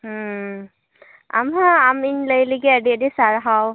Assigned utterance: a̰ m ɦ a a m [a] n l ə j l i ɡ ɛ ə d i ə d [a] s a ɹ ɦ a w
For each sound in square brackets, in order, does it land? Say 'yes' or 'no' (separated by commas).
no, no